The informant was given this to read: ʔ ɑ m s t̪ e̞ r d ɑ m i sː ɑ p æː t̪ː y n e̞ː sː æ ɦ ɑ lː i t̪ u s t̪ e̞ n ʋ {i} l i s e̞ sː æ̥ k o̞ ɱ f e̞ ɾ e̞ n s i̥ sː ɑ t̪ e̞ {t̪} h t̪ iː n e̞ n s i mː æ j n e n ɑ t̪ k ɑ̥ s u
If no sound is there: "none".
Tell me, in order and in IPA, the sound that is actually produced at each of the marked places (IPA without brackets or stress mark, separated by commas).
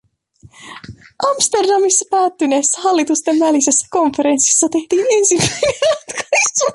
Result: æ, none